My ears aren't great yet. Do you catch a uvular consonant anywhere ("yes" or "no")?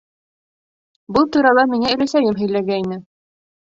no